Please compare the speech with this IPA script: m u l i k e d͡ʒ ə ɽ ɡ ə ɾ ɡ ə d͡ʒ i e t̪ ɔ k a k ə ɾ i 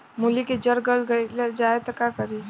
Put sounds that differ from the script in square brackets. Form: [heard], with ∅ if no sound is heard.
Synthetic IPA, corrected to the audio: m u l i k e d͡ʒ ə [ɾ] ɡ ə [l] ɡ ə d͡ʒ [a] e t̪ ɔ k a k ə ɾ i